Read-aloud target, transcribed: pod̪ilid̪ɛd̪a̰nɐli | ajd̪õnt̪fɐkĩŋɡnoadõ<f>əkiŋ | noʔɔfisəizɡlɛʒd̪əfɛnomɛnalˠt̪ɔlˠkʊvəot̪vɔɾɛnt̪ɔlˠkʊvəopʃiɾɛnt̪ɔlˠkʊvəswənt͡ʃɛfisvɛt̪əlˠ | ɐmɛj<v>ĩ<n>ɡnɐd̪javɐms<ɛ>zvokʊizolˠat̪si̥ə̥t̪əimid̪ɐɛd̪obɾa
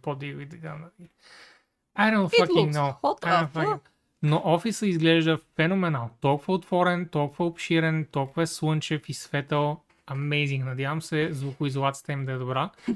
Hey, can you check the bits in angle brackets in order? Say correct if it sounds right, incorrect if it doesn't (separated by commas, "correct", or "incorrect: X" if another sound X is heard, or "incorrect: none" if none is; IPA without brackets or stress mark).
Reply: correct, incorrect: z, incorrect: ŋ, correct